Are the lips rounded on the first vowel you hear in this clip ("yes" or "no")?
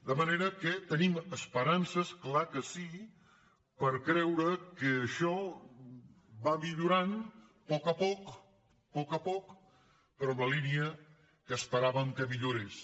no